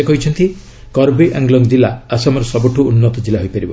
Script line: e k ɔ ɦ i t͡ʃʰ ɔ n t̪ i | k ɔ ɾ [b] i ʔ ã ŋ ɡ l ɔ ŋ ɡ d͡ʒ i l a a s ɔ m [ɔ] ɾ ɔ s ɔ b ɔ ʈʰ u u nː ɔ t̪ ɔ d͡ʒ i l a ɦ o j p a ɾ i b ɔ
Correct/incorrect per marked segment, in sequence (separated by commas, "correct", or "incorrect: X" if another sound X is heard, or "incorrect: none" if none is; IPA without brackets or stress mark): correct, correct